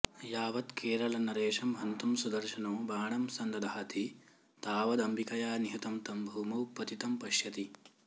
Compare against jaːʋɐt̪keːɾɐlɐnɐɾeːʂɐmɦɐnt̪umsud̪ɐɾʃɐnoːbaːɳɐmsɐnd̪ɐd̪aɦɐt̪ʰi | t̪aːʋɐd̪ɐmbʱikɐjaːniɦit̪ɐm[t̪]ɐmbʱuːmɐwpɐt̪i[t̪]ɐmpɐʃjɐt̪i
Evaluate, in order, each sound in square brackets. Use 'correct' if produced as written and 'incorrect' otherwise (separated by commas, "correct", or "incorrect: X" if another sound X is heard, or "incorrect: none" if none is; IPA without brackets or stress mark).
correct, correct